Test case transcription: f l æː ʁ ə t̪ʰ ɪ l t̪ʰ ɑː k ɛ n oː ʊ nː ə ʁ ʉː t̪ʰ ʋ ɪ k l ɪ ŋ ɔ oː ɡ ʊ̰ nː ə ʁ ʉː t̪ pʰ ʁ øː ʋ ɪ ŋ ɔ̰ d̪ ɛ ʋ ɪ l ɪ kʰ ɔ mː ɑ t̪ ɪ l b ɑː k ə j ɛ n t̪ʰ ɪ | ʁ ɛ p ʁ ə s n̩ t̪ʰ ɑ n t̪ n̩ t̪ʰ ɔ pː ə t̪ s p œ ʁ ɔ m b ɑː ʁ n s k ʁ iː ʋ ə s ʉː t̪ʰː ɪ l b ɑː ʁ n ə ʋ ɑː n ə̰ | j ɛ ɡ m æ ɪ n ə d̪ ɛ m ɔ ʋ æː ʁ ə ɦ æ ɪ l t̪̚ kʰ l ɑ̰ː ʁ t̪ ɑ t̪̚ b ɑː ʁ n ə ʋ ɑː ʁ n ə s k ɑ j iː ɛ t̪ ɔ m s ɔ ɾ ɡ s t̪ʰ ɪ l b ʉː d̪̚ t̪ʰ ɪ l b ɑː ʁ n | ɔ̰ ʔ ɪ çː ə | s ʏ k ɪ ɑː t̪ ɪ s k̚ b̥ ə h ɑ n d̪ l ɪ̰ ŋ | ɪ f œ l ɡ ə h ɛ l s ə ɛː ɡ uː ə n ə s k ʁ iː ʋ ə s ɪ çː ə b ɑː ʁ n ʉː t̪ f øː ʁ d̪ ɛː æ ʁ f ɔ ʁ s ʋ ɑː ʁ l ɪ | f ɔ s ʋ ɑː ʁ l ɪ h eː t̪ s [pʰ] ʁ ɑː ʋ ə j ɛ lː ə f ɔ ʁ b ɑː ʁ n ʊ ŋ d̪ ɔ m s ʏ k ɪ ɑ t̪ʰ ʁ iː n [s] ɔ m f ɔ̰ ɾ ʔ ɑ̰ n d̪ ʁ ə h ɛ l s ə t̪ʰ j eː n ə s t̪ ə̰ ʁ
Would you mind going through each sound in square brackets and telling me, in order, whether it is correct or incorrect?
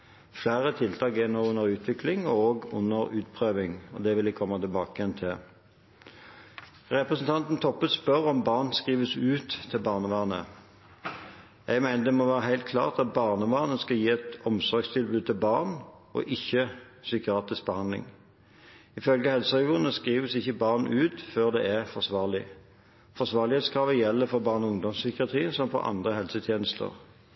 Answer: incorrect: kʰ, correct

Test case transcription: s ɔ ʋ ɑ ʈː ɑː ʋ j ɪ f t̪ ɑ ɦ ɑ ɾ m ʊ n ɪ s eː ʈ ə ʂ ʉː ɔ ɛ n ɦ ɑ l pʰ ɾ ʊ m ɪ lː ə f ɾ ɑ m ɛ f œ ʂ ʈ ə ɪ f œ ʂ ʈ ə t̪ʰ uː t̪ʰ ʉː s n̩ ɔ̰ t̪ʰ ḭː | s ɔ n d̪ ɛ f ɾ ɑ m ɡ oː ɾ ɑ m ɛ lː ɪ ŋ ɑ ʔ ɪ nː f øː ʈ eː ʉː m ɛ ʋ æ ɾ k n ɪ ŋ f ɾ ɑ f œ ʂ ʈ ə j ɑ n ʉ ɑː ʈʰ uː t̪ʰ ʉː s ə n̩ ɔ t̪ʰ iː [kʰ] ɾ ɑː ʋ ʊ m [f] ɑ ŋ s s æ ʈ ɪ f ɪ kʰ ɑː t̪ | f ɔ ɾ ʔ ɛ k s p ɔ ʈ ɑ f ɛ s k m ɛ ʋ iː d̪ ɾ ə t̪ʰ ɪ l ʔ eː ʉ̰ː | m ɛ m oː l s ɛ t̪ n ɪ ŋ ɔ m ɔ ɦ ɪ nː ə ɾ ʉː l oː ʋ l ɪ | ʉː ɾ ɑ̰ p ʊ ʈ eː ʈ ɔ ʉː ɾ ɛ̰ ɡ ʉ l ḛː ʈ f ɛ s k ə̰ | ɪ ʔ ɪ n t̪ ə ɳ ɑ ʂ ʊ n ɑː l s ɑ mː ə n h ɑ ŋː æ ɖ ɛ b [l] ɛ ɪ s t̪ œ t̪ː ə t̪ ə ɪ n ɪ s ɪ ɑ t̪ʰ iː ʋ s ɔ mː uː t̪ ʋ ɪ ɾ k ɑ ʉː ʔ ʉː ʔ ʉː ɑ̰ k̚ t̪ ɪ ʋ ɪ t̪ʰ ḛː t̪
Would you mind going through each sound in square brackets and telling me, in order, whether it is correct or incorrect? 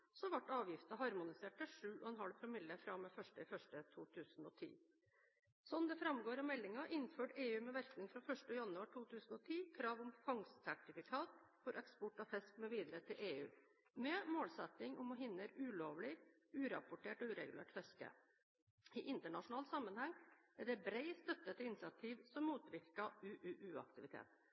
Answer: correct, correct, incorrect: ɾ

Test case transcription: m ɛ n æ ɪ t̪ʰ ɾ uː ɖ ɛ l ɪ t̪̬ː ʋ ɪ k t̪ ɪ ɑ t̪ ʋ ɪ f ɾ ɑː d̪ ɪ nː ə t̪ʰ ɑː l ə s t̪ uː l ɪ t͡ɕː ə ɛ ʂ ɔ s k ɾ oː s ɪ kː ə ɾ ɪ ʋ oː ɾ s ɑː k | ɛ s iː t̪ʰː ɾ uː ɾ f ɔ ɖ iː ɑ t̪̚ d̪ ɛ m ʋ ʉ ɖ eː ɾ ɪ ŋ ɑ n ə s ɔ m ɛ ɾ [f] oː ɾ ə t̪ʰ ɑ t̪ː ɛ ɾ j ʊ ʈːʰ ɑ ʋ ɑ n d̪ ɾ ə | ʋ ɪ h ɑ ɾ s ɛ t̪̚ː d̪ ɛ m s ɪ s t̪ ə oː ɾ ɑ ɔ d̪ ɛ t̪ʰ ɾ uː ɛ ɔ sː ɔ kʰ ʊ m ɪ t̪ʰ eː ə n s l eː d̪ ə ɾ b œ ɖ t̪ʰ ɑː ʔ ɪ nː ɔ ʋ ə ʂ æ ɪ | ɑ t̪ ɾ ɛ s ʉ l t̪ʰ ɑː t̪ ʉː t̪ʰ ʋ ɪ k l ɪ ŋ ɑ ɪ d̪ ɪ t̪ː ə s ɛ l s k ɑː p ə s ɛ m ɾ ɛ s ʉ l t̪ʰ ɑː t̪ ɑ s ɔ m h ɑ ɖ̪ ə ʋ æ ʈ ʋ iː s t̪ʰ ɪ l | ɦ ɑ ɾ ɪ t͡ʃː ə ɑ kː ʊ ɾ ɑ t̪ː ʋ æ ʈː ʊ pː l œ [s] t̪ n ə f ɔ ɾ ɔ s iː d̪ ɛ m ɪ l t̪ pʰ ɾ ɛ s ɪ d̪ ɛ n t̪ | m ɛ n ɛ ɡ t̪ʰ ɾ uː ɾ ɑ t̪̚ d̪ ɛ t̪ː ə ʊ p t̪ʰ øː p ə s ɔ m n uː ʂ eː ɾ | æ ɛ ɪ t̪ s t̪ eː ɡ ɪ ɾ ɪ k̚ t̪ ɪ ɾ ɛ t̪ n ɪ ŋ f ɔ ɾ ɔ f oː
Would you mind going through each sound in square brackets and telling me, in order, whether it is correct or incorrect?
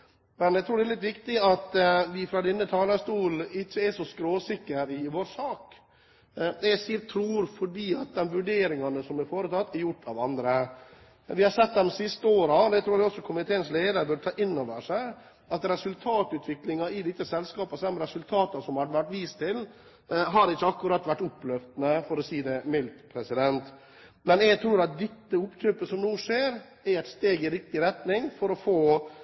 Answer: correct, incorrect: f

